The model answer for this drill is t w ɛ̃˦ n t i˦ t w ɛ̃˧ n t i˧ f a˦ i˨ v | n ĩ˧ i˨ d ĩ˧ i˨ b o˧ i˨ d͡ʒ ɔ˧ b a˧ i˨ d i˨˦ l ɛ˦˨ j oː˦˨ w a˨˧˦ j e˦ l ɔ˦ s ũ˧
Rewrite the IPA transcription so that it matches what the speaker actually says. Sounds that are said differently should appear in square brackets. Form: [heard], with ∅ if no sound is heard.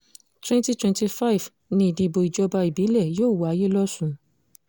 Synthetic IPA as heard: t w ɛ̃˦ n t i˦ t w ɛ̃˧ n t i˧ f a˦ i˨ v | n ĩ˧ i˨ d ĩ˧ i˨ b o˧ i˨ d͡ʒ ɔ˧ b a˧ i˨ [b] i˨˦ l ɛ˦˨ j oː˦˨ w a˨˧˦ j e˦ l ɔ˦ s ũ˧

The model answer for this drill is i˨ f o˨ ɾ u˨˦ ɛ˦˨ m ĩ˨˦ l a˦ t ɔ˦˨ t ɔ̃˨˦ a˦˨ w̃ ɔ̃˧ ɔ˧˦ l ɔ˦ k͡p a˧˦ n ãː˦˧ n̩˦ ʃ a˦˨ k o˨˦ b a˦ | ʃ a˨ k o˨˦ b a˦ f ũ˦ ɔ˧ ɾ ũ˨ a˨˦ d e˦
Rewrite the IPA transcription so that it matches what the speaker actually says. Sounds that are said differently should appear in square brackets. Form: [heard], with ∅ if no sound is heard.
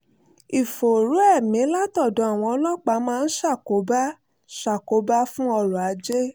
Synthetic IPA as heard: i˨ f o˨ ɾ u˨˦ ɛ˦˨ m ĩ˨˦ l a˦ t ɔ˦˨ [d] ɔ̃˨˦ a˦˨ w̃ ɔ̃˧ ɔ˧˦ l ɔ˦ k͡p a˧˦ [m] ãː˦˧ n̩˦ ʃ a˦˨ k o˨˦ b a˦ | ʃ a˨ k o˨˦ b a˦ f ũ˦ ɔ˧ ɾ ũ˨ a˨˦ [d͡ʒ] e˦

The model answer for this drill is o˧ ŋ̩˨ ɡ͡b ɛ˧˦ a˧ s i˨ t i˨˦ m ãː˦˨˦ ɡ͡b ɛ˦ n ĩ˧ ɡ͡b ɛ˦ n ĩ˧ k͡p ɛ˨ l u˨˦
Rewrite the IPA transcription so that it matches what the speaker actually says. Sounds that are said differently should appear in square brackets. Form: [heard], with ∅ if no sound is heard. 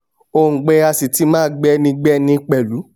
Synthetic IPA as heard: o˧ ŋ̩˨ ɡ͡b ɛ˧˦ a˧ s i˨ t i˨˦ m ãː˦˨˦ ɡ͡b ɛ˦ n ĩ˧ ɡ͡b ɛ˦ n ĩ˧ k͡p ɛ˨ l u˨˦

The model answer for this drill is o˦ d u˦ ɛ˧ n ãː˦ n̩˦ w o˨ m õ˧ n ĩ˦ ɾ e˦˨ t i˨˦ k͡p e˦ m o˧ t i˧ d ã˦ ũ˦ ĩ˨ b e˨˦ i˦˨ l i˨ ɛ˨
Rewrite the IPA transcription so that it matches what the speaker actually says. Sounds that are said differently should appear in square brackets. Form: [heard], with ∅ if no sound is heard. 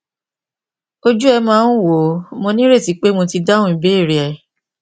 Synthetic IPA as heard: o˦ [d͡ʒ] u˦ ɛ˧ [m] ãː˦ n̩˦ w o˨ m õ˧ n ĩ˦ ɾ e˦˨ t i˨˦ k͡p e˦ m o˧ t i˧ d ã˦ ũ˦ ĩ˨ b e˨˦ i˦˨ [ɾ] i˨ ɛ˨

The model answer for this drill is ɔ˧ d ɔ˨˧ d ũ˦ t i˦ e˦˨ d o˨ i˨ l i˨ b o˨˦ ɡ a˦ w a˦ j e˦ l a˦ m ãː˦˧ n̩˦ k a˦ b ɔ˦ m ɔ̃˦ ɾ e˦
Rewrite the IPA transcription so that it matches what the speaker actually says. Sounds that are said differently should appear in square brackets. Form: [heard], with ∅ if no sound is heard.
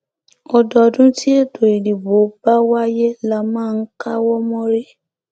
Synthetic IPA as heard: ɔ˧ d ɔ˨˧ d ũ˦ t i˦ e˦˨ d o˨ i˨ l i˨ b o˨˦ [b] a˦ w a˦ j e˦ l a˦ m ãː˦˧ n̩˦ k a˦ [w] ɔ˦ m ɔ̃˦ ɾ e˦

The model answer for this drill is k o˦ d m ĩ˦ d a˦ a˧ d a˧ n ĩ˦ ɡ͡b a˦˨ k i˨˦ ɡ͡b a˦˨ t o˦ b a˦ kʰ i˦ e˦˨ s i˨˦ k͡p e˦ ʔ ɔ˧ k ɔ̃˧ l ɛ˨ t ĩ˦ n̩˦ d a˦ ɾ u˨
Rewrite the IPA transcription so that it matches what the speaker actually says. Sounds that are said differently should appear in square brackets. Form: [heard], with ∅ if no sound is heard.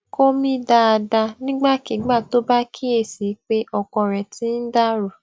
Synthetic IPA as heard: k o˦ [∅] m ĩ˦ d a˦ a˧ d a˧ n ĩ˦ ɡ͡b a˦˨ k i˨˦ ɡ͡b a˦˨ t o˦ b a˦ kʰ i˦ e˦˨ s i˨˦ k͡p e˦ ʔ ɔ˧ k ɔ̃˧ [ɾ] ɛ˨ t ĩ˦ n̩˦ d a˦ ɾ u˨

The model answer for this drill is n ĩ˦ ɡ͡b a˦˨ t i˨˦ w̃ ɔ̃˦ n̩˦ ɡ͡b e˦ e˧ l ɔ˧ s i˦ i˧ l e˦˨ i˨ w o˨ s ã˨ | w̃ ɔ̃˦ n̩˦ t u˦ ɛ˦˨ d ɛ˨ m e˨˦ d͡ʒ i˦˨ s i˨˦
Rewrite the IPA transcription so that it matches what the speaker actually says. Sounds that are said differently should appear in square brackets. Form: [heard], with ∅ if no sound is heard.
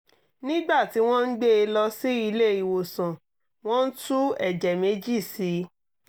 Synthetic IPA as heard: n ĩ˦ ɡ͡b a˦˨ t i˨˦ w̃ ɔ̃˦ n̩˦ ɡ͡b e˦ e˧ l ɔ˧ s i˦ i˧ l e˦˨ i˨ w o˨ s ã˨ | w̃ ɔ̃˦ n̩˦ t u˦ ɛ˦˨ [d͡ʒ] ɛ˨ m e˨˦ d͡ʒ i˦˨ s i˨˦

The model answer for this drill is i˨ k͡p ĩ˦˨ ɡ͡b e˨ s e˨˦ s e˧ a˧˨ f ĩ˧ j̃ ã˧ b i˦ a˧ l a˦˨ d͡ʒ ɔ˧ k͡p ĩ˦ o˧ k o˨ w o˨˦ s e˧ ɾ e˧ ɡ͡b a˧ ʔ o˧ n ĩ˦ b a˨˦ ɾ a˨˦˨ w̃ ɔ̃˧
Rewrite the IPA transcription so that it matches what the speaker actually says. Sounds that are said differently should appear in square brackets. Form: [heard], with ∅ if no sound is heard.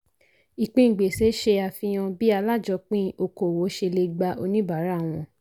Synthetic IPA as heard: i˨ k͡p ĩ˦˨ ɡ͡b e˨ s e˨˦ [ʃ] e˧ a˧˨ f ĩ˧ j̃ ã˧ b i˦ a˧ l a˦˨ d͡ʒ ɔ˧ k͡p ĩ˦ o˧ k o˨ w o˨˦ [ʃ] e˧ [l] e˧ ɡ͡b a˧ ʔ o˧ n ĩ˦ b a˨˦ ɾ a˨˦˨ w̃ ɔ̃˧

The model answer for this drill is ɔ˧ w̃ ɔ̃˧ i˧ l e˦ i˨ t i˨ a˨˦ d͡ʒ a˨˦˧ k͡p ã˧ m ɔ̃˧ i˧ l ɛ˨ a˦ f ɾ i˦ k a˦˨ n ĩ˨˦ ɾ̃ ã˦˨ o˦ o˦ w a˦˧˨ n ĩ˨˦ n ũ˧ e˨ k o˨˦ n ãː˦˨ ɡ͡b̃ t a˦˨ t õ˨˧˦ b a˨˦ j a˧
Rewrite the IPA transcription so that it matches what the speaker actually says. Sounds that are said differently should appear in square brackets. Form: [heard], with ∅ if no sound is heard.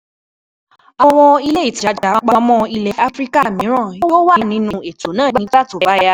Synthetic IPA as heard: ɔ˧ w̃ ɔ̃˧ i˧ l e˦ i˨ t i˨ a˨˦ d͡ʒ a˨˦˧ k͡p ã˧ m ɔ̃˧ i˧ l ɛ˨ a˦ f ɾ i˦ k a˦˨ [m] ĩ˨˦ ɾ̃ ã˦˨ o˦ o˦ w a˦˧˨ n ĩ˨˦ n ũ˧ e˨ [t] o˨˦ n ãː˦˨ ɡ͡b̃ t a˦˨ t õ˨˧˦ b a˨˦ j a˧

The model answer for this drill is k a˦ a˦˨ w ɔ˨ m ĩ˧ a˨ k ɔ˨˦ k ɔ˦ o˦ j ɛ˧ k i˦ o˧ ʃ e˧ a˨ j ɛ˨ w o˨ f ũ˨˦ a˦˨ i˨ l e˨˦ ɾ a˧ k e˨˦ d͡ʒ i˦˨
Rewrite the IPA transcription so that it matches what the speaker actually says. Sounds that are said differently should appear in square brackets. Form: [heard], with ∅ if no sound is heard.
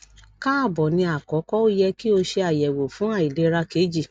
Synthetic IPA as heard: k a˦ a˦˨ [b] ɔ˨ [n] ĩ˧ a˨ k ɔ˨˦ k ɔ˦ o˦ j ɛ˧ k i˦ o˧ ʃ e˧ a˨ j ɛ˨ w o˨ f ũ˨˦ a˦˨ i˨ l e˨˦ ɾ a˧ k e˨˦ d͡ʒ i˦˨

